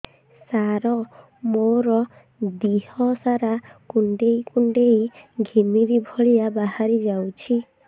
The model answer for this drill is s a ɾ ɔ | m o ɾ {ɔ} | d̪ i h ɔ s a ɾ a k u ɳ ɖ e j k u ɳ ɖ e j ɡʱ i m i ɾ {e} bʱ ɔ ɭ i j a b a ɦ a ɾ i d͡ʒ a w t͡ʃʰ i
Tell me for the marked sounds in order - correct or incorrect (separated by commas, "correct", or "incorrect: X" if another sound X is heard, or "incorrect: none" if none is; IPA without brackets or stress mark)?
correct, incorrect: i